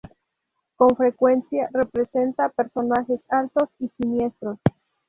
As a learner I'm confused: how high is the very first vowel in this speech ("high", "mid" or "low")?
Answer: mid